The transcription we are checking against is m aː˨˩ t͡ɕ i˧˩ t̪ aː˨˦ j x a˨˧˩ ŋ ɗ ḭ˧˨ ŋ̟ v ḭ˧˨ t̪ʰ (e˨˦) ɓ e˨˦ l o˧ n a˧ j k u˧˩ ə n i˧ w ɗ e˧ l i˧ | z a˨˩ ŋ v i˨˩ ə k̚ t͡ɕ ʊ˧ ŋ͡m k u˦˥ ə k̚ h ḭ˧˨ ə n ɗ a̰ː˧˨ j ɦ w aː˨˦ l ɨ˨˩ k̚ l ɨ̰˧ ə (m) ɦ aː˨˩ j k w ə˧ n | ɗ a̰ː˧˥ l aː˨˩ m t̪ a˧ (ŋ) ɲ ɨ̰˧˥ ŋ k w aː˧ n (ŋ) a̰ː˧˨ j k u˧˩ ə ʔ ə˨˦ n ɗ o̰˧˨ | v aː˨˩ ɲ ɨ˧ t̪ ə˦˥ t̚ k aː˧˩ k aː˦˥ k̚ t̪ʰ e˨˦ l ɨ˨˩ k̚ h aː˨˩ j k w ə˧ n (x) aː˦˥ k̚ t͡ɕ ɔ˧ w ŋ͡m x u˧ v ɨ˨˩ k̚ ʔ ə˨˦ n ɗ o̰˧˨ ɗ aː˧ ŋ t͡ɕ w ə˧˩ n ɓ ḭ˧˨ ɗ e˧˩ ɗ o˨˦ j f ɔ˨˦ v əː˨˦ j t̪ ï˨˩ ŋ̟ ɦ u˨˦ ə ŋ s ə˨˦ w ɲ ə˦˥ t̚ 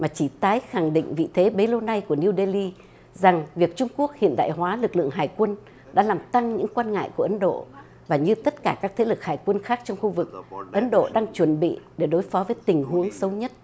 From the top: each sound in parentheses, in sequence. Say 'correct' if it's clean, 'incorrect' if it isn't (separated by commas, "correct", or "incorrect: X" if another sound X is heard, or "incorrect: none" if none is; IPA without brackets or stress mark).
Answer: correct, incorrect: ŋ, correct, correct, correct